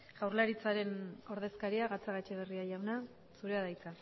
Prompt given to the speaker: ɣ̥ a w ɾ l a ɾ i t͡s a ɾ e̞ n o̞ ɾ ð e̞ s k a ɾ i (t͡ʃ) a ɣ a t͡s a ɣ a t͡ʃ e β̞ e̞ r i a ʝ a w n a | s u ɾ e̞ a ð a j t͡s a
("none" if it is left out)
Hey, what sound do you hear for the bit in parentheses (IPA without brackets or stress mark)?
none